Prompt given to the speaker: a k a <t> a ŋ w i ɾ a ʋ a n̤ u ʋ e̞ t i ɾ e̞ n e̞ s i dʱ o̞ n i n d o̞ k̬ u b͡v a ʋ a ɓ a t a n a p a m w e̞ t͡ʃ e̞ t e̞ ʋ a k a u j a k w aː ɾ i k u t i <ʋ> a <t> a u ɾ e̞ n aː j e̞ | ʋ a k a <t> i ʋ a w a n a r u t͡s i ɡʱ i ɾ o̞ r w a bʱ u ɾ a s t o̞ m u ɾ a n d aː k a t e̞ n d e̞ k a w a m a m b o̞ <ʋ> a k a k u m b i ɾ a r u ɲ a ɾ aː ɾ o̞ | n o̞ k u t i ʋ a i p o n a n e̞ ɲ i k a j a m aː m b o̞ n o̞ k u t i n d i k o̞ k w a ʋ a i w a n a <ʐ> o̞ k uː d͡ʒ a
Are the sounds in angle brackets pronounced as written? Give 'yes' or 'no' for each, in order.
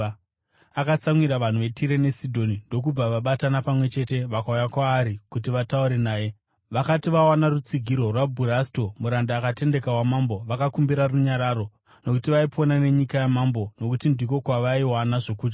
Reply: no, yes, yes, yes, yes, yes

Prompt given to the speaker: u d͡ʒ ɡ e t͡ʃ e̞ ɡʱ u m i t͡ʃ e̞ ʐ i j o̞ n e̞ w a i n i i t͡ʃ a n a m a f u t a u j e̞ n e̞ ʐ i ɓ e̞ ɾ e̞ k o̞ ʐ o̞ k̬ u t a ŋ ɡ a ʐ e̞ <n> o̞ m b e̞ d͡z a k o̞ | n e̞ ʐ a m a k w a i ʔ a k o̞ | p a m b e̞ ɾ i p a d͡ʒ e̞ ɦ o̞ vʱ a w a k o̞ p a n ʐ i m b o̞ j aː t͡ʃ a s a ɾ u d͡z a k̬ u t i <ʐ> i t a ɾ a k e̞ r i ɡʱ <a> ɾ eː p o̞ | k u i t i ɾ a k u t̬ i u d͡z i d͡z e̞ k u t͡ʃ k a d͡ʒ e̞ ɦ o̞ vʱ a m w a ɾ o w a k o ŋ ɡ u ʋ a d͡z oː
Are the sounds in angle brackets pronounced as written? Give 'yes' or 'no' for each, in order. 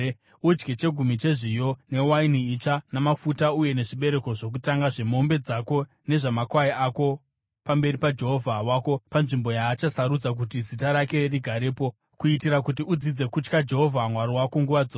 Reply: no, no, yes

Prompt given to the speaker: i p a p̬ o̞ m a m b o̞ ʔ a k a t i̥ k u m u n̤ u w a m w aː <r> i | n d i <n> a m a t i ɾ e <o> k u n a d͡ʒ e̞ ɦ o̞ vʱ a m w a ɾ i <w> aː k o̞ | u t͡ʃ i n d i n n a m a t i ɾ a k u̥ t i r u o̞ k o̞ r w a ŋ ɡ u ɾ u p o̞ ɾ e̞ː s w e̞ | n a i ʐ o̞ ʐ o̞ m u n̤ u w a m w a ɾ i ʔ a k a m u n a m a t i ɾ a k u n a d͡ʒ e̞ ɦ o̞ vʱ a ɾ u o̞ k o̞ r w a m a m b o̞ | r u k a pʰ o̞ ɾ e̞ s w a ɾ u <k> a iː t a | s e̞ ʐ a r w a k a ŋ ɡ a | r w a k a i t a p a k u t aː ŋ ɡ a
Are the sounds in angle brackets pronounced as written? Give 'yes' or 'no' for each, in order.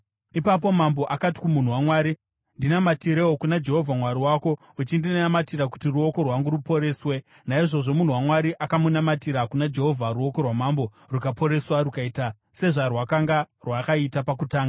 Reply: no, yes, yes, yes, yes

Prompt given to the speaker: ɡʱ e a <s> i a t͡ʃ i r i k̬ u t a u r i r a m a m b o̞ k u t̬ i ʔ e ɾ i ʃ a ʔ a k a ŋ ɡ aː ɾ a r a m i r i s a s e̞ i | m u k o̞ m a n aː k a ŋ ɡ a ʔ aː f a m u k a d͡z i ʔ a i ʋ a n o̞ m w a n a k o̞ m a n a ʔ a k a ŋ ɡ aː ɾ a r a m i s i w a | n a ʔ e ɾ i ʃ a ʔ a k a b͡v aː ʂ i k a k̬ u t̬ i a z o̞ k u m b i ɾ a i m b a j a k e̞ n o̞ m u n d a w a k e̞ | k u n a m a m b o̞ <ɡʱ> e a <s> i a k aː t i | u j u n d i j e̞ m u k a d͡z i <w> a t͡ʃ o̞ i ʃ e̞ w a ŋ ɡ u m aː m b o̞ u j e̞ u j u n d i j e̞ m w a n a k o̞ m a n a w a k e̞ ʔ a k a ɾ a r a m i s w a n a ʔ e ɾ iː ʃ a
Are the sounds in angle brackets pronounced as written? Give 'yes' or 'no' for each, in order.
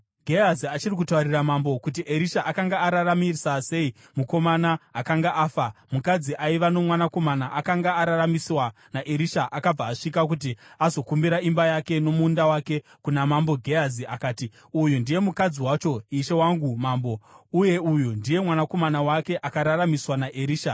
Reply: no, yes, no, yes

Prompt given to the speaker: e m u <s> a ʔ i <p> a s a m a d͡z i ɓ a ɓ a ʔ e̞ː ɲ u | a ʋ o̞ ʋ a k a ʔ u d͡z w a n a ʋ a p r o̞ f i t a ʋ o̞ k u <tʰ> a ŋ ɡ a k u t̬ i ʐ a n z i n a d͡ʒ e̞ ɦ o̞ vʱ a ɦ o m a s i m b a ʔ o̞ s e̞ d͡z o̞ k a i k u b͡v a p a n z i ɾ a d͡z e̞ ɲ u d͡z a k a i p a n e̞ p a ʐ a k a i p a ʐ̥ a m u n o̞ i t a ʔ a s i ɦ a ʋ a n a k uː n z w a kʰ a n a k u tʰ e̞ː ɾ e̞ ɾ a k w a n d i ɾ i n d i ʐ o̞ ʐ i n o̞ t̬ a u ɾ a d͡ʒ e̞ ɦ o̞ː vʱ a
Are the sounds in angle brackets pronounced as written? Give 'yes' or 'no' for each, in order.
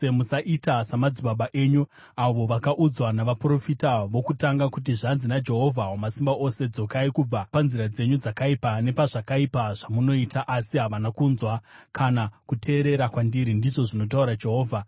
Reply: yes, no, no

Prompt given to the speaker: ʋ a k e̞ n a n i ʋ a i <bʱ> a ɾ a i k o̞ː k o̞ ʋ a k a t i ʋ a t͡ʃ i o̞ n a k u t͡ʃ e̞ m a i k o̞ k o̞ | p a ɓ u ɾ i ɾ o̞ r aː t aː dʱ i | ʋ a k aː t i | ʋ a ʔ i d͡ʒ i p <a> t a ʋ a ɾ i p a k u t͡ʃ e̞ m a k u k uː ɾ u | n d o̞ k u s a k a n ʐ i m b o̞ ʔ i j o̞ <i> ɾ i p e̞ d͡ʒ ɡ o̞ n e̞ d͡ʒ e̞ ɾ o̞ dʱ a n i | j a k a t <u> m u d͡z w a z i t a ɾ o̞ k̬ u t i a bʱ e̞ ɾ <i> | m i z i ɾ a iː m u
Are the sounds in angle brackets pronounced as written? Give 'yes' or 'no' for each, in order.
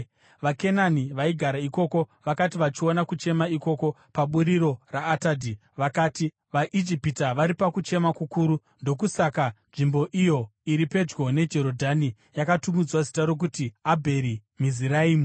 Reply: no, no, yes, yes, yes

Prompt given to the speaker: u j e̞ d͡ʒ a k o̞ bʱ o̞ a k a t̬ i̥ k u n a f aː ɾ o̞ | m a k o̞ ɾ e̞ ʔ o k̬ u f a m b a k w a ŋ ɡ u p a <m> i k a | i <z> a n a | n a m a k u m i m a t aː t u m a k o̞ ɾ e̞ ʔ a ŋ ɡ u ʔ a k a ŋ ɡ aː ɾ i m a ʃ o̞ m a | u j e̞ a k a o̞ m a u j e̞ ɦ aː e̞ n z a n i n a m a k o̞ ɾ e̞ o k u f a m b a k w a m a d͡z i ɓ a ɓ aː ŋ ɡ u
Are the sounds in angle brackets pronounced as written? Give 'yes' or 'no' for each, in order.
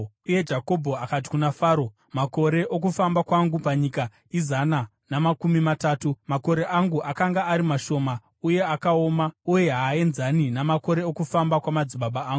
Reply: no, yes

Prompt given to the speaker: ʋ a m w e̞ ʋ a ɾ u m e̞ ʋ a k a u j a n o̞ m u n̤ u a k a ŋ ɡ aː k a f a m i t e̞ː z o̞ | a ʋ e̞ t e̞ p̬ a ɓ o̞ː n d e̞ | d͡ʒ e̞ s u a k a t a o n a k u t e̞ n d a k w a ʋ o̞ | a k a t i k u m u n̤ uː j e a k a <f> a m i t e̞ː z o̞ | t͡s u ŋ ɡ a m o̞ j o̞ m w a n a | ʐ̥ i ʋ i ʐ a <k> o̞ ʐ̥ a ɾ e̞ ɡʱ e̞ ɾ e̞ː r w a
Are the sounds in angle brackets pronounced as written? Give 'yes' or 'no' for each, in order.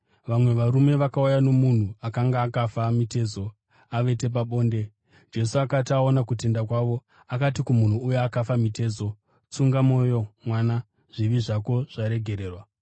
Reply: yes, yes

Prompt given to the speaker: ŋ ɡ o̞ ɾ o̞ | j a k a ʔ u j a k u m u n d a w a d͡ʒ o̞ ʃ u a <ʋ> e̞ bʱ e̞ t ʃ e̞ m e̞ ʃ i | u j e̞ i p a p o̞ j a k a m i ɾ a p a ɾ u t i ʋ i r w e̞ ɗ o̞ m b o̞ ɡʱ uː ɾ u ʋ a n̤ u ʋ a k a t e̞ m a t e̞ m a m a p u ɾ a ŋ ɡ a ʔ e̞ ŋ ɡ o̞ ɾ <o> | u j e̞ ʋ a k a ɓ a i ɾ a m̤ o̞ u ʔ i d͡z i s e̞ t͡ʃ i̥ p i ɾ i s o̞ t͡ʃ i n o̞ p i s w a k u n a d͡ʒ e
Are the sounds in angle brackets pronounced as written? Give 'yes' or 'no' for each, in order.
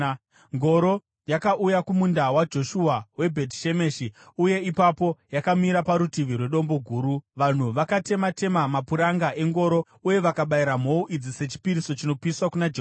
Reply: no, yes

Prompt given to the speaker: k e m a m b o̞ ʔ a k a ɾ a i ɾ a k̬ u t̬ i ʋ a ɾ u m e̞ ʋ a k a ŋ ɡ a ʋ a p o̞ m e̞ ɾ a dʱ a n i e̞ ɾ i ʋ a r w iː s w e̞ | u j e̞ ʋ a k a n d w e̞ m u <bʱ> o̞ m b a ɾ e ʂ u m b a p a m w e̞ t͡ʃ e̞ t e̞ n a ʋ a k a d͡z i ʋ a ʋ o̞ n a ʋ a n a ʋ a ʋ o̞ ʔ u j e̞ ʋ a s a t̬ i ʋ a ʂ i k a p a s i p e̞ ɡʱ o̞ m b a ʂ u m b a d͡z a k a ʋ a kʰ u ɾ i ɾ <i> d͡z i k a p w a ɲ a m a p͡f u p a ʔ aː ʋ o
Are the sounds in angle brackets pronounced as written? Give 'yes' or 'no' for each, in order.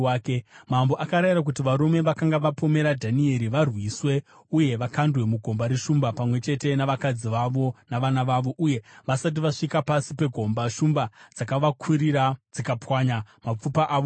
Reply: no, no

